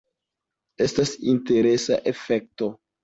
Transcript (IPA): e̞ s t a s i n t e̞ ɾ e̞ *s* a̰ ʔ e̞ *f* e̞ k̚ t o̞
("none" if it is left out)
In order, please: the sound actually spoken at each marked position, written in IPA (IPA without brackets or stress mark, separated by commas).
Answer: s, f